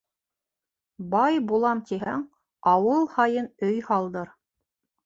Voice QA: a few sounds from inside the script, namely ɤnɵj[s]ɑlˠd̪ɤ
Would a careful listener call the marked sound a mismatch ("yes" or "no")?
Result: yes